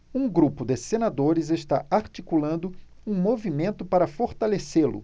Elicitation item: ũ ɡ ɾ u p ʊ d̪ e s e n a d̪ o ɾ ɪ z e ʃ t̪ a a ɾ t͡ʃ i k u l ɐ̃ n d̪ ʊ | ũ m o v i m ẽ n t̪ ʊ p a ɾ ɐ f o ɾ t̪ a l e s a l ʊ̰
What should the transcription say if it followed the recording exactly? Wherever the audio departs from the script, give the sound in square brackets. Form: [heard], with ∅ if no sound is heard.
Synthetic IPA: ũ ɡ ɾ u p ʊ d̪ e s e n a d̪ o ɾ ɪ z e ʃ t̪ a a ɾ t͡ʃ i k u l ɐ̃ n d̪ ʊ | ũ m o v i m ẽ n t̪ ʊ p a ɾ ɐ f o ɾ t̪ a l e s [e] l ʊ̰